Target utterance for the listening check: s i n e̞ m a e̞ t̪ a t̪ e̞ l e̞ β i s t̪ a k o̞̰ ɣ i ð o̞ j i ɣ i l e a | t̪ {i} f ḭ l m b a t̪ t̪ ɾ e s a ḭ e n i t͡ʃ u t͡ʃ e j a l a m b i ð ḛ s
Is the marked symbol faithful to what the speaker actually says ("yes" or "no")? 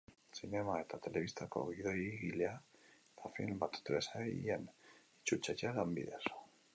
no